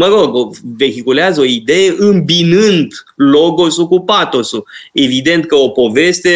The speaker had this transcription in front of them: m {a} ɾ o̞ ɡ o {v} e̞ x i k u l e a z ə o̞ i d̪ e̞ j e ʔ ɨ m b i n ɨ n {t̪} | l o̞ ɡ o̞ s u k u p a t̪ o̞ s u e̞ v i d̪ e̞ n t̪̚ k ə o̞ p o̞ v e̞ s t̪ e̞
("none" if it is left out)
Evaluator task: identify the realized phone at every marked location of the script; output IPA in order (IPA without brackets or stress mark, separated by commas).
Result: ə, v, d̪